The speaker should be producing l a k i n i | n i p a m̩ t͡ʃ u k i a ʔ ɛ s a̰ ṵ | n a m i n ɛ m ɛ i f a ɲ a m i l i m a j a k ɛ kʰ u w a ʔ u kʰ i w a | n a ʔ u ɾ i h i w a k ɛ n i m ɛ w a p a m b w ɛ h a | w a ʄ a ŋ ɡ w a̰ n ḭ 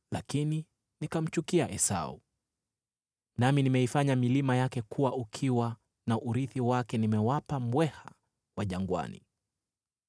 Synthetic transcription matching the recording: l a k i n i | n i k a m̩ t͡ʃ u k i a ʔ ɛ s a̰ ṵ | n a m i n i m ɛ i f a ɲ a m i l i m a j a k ɛ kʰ u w a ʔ u kʰ i w a | n a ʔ u ɾ i θ i w a k ɛ n i m ɛ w a p a m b w ɛ h a | w a ʄ a ŋ ɡ w a̰ n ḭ

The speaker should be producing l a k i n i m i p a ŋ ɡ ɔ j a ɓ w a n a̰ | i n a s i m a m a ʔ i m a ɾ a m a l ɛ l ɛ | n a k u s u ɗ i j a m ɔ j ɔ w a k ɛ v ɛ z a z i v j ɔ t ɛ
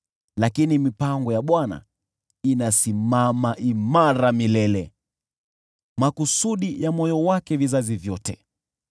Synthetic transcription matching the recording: l a k i n i m i p a ŋ ɡ ɔ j a ɓ w a n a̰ | i n a s i m a m a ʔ i m a ɾ a m i l ɛ l ɛ | m a k u s u ɗ i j a m ɔ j ɔ w a k ɛ v i z a z i v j ɔ t ɛ

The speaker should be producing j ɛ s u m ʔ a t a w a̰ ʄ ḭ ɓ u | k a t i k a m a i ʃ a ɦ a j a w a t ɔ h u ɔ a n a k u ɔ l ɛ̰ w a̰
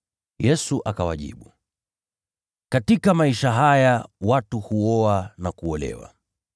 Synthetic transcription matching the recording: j ɛ s u ʔ a k a w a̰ ʄ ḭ ɓ u | k a t i k a m a i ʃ a ɦ a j a w a t u h u ɔ a n a k u ɔ l ɛ̰ w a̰

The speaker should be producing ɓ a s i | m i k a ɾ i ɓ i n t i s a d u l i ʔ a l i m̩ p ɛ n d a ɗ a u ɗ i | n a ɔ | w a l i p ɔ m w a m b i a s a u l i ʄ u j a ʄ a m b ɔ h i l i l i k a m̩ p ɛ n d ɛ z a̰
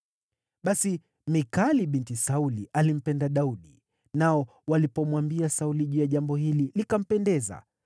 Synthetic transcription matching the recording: ɓ a s i | m i k a l i ɓ i n t i s a u l i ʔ a l i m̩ p ɛ n d a ɗ a u ɗ i | n a ɔ | w a l i p ɔ m w a m b i a s a u l i ʄ u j a ʄ a m b ɔ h i l i l i k a m̩ p ɛ n d ɛ z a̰

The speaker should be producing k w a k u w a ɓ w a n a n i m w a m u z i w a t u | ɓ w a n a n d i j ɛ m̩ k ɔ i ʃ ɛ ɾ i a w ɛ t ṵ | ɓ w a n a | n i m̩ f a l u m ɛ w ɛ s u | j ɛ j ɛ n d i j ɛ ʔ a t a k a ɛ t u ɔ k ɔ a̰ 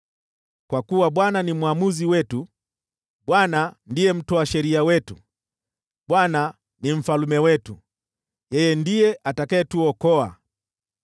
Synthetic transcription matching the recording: k w a k u w a ɓ w a n a n i m w a m u z i w ɛ t u | ɓ w a n a n d i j ɛ m̩ t ɔ a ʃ ɛ ɾ i a w ɛ t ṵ | ɓ w a n a | n i m̩ f a l u m ɛ w ɛ t u | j ɛ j ɛ n d i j ɛ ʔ a t a k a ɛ t u ɔ k ɔ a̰

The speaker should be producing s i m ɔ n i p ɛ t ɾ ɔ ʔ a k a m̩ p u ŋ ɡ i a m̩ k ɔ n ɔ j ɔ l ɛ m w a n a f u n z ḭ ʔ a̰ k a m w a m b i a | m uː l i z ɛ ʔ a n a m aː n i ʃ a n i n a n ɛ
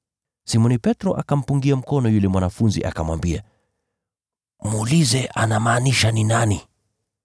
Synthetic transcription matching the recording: s i m ɔ n i p ɛ t ɾ ɔ ʔ a k a m̩ p u ŋ ɡ i a m̩ k ɔ n ɔ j u l ɛ m w a n a f u n z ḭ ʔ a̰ k a m w a m b i a | m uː l i z ɛ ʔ a n a m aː n i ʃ a n i n a n i

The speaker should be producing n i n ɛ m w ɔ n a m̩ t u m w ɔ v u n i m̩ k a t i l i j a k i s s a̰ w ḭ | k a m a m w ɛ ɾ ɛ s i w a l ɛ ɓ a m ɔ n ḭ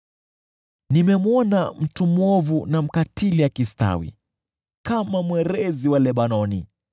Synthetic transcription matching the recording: n i m ɛ m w ɔ n a m̩ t u m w ɔ v u n a m̩ k a t i l i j a k i s t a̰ w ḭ | k a m a m w ɛ ɾ ɛ z i w a l ɛ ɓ a n ɔ n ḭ

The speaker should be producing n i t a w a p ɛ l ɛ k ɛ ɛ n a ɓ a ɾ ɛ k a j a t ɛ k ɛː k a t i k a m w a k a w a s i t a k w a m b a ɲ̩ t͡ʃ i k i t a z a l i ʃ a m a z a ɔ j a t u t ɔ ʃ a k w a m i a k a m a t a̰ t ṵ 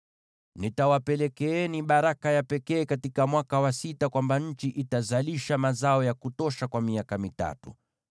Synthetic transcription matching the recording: n i t a w a p ɛ l ɛ k ɛ ɛ n i ɓ a ɾ a k a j a p ɛ k ɛː k a t i k a m w a k a w a s i t a k w a m b a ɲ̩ t͡ʃ i ʔ i t a z a l i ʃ a m a z a ɔ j a k u t ɔ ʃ a k w a m i a k a m i t a̰ t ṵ

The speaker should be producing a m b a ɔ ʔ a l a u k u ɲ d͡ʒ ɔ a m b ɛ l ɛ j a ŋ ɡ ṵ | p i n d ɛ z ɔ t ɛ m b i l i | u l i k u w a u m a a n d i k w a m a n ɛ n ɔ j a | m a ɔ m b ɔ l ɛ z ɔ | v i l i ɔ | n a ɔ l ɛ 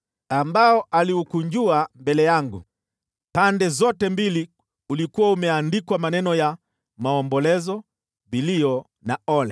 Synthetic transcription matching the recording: a m b a ɔ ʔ a l i u k u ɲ d͡ʒ u a m b ɛ l ɛ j a ŋ ɡ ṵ | p a n d ɛ z ɔ t ɛ m b i l i | u l i k u w a u m ɛ a n d i k w a m a n ɛ n ɔ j a | m a ɔ m b ɔ l ɛ z ɔ | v i l i ɔ | n a ɔ l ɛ

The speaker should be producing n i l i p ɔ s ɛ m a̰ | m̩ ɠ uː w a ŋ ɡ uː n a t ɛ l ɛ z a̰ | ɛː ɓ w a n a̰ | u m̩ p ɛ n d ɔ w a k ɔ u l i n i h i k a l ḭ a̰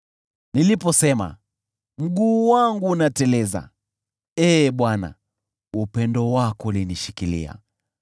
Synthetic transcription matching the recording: n i l i p ɔ s ɛ m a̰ | m̩ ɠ uː w a ŋ ɡ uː n a t ɛ l ɛ z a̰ | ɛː ɓ w a n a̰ | u p ɛ n d ɔ w a k ɔ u l i n i ʃ i k i l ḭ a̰

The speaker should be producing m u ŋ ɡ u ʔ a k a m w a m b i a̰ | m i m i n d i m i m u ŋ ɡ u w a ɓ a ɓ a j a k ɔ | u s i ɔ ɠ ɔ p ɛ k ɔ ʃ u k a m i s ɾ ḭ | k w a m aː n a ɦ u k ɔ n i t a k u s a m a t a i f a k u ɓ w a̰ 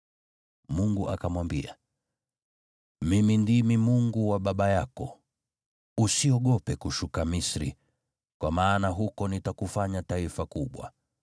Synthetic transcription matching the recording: m u ŋ ɡ u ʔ a k a m w a m b i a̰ | m i m i n d i m i m u ŋ ɡ u w a ɓ a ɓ a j a k ɔ | u s i ɔ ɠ ɔ p ɛ k u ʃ u k a m i s ɾ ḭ | k w a m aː n a ɦ u k ɔ n i t a k u f a ɲ a t a i f a k u ɓ w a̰

